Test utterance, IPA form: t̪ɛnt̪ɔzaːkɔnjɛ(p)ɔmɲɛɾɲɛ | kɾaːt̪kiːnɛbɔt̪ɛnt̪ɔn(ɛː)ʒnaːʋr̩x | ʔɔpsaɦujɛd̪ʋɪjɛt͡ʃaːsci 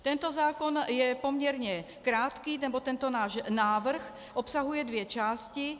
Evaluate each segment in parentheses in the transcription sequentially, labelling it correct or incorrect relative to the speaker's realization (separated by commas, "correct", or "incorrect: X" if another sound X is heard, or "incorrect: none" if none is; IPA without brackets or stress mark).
correct, incorrect: aː